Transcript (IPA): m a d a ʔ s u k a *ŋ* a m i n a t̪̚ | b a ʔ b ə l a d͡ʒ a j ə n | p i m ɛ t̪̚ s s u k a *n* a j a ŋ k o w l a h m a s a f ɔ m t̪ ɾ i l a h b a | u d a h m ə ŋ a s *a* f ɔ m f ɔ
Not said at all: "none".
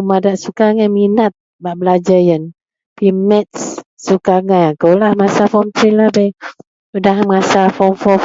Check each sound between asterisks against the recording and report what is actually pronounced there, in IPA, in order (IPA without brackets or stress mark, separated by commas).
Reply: ŋ, ŋ, a